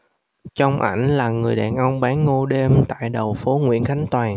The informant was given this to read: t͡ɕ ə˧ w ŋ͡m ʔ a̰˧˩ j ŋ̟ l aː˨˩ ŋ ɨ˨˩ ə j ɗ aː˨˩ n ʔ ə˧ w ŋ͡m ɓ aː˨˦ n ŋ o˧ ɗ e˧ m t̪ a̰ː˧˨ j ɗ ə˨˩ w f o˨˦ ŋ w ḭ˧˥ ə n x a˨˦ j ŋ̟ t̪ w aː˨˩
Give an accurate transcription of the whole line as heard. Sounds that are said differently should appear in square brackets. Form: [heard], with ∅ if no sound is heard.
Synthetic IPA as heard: t͡ɕ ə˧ w ŋ͡m ʔ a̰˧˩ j ŋ̟ l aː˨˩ ŋ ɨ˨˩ ə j ɗ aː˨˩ n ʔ ə˧ w ŋ͡m ɓ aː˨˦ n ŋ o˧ ɗ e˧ m t̪ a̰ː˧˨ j ɗ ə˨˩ w f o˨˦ ŋ w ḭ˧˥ ə n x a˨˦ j ŋ̟ t̪ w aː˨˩